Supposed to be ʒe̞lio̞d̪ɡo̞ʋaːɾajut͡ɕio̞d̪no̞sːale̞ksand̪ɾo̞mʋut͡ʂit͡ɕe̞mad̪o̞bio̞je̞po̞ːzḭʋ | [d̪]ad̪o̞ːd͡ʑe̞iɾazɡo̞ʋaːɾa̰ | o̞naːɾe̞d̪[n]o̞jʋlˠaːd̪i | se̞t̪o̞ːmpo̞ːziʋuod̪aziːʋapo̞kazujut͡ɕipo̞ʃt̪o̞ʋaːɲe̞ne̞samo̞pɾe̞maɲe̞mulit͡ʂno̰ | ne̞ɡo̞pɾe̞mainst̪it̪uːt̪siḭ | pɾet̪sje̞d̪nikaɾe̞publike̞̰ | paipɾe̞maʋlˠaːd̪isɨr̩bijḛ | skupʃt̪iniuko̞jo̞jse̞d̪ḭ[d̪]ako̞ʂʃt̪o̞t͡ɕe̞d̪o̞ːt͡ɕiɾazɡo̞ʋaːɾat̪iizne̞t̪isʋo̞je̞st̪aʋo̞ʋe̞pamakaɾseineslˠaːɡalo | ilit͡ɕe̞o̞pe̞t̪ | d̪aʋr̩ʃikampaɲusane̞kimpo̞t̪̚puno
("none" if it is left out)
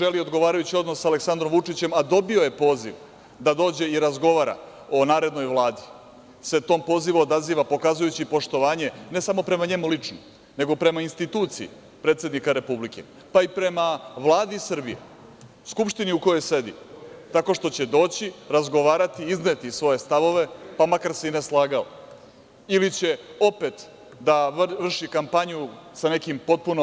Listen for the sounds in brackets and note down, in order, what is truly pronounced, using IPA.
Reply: d̪, n, t̪

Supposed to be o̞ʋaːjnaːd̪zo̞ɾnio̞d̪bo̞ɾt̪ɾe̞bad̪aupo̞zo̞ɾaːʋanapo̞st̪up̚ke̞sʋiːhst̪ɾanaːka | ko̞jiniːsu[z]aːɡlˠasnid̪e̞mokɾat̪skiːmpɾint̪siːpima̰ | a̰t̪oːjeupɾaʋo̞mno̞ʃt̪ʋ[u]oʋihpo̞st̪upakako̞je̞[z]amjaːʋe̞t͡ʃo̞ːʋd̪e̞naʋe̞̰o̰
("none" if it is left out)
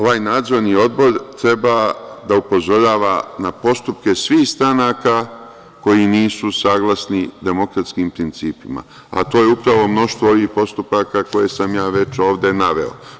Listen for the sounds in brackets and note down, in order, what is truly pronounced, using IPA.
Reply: s, o, s

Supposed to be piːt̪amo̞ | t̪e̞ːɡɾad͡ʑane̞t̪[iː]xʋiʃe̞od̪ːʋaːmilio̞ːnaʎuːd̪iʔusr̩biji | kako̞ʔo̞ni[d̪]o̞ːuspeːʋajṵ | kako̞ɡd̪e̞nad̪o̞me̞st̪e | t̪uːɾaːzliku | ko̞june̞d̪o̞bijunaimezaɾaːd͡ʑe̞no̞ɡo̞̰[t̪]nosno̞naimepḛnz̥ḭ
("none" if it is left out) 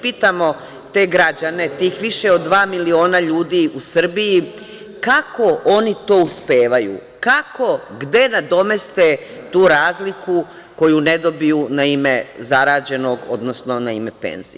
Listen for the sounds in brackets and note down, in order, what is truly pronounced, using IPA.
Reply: iː, t̪, d̪

